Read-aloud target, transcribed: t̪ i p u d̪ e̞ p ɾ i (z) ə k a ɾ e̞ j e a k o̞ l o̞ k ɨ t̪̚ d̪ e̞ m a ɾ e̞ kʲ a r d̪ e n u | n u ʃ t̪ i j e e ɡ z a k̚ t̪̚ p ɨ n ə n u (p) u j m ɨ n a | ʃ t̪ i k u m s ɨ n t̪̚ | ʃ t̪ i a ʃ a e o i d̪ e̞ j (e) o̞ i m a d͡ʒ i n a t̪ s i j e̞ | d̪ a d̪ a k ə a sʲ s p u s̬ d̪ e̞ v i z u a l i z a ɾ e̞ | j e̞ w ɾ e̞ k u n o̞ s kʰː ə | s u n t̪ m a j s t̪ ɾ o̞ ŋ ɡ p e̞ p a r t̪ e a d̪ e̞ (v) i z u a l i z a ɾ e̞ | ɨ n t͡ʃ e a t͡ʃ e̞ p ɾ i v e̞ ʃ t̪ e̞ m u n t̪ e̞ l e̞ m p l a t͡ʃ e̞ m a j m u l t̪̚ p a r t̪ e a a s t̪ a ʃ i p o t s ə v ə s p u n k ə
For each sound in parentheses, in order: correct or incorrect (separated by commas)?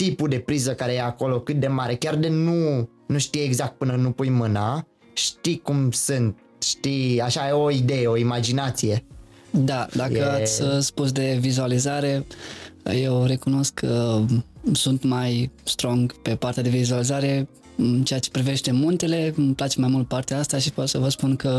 correct, correct, correct, correct